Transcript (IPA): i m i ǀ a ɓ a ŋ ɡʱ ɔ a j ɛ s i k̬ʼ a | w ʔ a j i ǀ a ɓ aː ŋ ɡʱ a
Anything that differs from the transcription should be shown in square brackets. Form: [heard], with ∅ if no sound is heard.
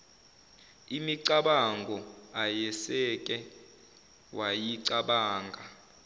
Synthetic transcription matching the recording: i m i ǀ a ɓ a ŋ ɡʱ ɔ a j ɛ s [ɛ] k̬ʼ [ɛ] | w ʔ a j i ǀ a ɓ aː ŋ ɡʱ a